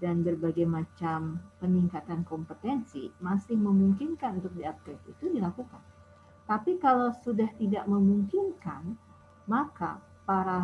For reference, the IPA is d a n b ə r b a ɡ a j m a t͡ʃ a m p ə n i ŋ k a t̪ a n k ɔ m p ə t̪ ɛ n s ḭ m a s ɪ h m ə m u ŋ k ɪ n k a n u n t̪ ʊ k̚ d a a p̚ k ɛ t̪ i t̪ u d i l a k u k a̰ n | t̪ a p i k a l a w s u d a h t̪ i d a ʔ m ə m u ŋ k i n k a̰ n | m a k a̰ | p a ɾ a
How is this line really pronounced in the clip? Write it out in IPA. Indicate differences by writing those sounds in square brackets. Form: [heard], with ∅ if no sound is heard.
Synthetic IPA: d a n b ə r b a ɡ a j m a t͡ʃ a m p ə n i ŋ k a t̪ a n k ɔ m p ə t̪ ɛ n s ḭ m a s ɪ h m ə m u ŋ k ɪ n k a n u n t̪ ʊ k̚ d [i] a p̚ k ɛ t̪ i t̪ u d i l a k u k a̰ n | t̪ a p i k a l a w s u d a h t̪ i d a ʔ m ə m u ŋ k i n k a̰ n | m a k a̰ | p a ɾ a